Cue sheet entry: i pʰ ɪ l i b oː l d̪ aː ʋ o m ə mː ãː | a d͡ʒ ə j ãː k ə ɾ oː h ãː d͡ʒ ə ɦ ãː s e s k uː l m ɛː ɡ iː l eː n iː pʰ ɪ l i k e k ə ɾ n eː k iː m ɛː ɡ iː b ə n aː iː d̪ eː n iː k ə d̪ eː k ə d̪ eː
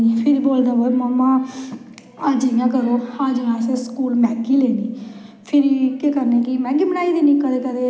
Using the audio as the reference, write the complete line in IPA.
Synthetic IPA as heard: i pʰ ɪ ɾ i b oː l d̪ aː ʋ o m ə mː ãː | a d͡ʒ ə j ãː k ə ɾ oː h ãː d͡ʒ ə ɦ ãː s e s k uː l m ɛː ɡ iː l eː n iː pʰ ɪ ɾ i k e k ə ɾ n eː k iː m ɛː ɡ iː b ə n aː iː d̪ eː n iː k ə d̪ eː k ə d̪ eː